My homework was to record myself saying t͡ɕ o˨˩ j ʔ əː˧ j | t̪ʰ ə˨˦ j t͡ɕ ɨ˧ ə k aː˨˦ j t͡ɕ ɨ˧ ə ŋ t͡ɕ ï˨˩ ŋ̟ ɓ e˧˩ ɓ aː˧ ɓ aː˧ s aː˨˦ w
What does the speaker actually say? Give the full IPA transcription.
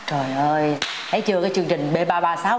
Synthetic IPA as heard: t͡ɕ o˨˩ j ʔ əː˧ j | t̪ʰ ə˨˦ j t͡ɕ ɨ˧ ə k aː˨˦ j t͡ɕ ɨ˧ ə ŋ t͡ɕ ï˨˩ ŋ̟ ɓ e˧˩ ɓ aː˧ ɓ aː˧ s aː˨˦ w